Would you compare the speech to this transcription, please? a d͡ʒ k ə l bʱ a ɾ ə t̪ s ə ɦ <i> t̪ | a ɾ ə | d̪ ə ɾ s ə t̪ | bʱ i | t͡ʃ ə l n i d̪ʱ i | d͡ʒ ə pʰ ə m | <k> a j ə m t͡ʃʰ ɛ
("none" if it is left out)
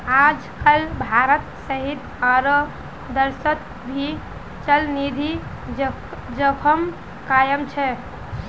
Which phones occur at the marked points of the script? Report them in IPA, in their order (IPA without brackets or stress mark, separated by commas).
i, k